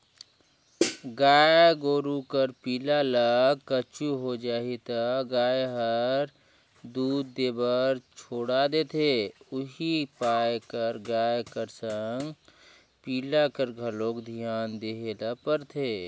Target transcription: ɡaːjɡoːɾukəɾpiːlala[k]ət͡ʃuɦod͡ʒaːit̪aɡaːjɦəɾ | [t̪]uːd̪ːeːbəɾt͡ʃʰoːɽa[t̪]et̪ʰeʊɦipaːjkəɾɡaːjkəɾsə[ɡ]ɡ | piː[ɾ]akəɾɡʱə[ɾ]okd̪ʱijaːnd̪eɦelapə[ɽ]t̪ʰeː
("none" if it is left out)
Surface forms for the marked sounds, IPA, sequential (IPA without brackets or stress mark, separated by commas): k, d̪, d̪, ŋ, l, l, ɾ